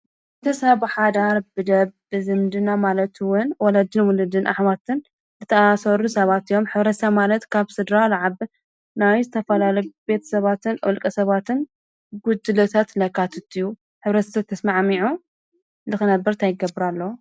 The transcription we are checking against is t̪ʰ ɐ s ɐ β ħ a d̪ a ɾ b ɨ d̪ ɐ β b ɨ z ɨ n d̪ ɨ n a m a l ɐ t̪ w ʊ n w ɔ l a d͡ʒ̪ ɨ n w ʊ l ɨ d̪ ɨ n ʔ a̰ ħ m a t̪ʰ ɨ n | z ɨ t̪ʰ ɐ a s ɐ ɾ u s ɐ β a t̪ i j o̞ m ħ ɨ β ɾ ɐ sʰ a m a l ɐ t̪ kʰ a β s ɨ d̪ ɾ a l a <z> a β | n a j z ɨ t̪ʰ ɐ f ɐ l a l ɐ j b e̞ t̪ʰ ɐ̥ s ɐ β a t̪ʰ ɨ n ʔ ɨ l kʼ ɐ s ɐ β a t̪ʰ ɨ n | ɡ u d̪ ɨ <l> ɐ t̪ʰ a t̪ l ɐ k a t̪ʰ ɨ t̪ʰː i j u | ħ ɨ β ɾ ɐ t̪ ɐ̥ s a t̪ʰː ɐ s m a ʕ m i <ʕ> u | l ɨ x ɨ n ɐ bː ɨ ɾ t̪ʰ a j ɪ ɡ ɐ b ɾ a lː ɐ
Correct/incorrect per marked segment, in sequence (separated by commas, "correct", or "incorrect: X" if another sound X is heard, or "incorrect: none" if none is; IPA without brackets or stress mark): incorrect: ʕ, correct, correct